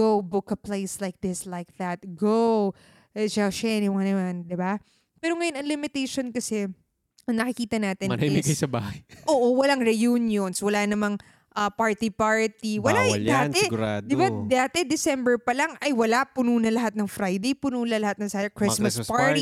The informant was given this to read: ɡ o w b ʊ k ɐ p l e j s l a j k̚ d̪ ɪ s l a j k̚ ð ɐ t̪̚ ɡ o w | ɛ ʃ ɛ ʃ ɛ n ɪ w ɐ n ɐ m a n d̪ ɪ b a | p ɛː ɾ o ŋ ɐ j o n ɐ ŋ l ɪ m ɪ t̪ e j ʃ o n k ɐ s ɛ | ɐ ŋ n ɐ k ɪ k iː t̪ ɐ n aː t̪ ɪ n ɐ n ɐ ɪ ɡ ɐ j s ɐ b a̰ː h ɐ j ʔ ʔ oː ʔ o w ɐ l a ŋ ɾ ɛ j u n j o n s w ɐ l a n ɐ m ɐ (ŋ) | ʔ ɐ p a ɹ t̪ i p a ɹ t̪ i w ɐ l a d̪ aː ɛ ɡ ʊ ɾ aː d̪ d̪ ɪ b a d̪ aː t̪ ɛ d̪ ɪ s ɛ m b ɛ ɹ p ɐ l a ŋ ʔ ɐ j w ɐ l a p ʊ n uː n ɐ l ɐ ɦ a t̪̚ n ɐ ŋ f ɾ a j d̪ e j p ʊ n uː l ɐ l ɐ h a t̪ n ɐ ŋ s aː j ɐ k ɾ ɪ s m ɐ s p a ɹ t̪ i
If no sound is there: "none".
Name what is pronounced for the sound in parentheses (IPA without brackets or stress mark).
ŋ